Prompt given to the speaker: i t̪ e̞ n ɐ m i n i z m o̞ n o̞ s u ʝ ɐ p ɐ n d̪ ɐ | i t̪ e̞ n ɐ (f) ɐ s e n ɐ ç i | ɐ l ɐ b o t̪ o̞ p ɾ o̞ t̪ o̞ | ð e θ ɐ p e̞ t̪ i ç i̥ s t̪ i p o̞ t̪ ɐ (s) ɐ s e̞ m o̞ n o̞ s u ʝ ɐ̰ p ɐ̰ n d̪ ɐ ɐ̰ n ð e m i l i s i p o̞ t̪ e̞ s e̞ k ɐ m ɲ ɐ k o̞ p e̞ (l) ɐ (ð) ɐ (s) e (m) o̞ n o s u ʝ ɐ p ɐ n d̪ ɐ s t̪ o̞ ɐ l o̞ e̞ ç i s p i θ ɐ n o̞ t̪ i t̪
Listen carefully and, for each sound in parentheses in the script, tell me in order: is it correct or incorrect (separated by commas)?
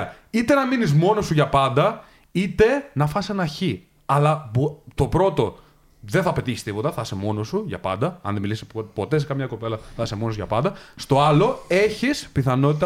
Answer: correct, incorrect, correct, incorrect, correct, correct